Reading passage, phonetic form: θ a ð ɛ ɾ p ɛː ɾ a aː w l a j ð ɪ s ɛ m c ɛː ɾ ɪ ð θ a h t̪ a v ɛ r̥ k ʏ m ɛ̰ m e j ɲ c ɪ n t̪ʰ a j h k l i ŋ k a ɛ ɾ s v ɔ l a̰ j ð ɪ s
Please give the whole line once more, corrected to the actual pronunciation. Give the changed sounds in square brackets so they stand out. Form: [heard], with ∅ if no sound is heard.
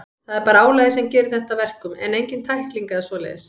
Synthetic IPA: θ a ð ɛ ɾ p [aː] ɾ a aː w l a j ð ɪ s ɛ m c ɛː ɾ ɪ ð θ [ɛ] h t̪ a v ɛ r̥ k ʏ m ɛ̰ [n] e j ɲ c ɪ n t̪ʰ a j h k l i ŋ k a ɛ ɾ s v ɔ l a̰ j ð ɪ s